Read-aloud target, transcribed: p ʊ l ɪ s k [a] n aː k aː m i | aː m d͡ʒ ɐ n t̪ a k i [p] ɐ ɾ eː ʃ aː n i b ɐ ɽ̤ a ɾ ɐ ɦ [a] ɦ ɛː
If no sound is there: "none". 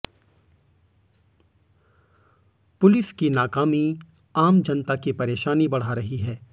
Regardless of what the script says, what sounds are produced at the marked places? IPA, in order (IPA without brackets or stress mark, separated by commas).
i, p, i